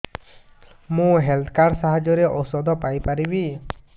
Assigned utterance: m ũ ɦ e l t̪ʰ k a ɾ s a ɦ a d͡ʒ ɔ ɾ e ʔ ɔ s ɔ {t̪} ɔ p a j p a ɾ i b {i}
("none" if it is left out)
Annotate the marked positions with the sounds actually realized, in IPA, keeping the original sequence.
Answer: d̪, i

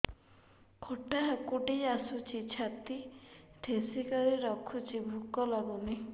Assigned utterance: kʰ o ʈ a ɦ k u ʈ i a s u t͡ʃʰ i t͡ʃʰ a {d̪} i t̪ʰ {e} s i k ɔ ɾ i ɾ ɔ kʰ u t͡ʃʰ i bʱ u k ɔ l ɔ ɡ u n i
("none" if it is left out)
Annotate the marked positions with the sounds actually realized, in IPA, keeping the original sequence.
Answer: t̪, e

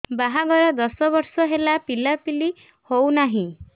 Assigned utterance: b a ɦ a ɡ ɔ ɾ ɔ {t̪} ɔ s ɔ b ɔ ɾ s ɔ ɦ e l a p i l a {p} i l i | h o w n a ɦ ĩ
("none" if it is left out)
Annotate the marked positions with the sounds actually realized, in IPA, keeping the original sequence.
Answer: d̪, p

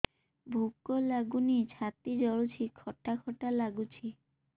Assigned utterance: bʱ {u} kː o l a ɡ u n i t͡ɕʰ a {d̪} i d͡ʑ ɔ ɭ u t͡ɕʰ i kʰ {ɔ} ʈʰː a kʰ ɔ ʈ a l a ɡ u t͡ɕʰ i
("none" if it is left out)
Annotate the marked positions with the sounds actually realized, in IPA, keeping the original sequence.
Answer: u, t̪, ɔ

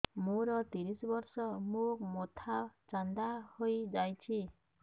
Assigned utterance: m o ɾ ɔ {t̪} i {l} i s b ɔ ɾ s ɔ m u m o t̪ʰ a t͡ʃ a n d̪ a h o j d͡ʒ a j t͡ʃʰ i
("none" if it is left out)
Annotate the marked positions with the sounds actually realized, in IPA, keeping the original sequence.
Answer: t̪, ɾ

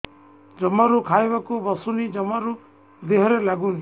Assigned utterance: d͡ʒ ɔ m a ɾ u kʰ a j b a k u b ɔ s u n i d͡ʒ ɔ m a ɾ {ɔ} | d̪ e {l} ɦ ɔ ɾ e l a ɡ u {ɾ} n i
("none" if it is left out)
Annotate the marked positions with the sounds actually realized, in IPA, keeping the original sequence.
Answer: u, none, none

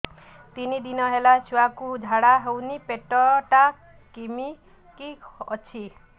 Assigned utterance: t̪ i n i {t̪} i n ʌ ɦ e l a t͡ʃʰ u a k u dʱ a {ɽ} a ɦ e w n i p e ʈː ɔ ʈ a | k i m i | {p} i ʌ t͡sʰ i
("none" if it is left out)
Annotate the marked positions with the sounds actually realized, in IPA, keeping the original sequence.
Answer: d̪, ɽ, k

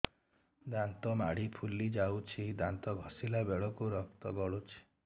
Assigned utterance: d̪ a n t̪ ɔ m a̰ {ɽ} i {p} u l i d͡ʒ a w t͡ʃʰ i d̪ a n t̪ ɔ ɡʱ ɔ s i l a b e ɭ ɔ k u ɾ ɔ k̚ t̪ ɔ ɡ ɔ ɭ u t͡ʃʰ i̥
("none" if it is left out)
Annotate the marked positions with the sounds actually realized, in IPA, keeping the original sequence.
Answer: ɽ, pʰ

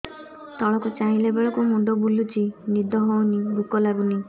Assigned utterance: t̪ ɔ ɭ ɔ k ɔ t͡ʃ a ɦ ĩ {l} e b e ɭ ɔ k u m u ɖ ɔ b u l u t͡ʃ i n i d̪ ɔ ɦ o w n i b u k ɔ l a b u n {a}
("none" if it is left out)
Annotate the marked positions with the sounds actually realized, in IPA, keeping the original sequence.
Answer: l, i

